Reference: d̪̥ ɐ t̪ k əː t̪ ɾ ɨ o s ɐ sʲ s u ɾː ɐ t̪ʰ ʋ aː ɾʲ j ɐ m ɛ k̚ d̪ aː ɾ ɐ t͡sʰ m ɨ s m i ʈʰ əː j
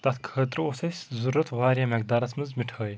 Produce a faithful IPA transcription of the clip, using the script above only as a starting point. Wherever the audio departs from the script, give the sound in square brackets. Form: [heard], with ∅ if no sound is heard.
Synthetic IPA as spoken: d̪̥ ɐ t̪ [kʰ] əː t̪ ɾ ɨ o s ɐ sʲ [z] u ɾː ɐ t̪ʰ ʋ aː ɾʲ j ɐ m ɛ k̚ d̪ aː ɾ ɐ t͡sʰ m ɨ [z] m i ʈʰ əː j